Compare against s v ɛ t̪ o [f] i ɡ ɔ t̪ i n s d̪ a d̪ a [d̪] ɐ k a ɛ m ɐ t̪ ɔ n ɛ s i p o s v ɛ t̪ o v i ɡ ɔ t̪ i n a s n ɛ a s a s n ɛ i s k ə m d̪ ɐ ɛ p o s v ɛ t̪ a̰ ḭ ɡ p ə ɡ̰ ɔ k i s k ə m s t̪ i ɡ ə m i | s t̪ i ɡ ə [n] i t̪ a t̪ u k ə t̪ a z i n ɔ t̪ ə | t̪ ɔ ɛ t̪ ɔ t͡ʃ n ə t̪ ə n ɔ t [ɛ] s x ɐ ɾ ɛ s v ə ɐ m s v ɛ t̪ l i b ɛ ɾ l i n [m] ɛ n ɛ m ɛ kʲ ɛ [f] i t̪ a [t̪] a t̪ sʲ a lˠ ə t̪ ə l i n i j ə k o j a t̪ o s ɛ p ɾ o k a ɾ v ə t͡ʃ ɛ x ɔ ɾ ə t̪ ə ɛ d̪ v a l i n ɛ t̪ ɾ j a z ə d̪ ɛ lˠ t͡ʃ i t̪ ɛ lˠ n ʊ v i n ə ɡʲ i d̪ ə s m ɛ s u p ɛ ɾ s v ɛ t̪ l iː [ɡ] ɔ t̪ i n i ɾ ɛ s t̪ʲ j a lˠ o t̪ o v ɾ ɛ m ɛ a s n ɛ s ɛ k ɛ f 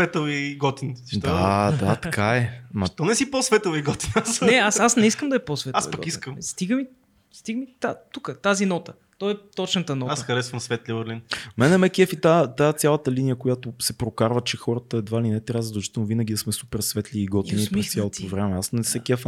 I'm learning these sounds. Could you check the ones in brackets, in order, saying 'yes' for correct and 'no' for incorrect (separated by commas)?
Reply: no, no, no, no, yes, yes, yes, yes